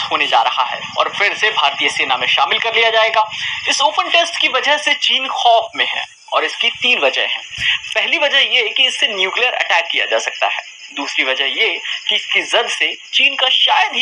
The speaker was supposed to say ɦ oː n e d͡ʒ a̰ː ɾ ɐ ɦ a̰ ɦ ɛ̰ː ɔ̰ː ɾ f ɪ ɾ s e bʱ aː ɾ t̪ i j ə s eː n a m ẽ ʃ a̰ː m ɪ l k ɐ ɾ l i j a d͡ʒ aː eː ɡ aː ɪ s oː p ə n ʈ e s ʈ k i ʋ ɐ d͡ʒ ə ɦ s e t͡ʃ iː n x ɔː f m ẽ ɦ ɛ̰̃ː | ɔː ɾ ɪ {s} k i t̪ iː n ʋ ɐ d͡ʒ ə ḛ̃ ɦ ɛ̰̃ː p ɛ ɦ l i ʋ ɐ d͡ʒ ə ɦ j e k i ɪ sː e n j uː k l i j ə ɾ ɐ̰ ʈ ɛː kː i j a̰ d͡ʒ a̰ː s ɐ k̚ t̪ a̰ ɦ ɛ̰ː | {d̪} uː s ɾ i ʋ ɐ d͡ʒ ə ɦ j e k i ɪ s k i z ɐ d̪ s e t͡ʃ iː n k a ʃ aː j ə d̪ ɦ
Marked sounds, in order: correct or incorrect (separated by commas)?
correct, correct